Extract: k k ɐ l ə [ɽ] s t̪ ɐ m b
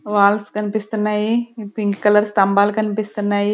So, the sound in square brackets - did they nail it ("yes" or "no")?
no